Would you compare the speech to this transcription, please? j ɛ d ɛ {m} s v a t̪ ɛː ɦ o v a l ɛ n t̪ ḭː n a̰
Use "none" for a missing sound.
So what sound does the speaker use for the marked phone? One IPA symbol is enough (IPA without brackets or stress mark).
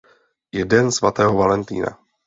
n